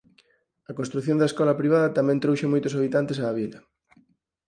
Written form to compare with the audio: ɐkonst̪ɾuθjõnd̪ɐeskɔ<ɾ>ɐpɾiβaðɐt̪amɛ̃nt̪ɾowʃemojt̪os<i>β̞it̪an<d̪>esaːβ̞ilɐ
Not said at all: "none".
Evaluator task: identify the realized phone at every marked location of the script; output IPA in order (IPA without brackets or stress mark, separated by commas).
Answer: l, a, t̪